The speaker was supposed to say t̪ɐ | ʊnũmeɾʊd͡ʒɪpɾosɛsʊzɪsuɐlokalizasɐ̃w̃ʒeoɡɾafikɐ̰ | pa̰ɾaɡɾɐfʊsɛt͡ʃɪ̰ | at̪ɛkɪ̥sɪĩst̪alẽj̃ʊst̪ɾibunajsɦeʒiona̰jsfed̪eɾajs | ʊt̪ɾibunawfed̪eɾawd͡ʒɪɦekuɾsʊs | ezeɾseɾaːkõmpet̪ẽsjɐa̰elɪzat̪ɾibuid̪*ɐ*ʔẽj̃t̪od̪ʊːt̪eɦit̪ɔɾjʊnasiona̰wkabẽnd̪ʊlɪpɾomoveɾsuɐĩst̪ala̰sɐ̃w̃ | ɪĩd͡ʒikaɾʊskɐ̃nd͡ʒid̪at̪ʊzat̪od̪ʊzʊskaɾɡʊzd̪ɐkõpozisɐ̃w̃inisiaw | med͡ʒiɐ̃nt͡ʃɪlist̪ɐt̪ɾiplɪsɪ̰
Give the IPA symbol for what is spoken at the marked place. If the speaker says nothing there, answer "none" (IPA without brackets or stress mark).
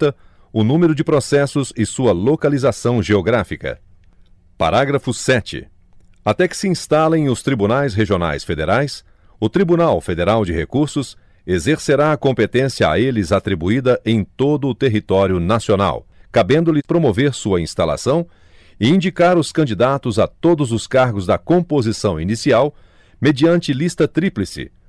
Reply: ɐ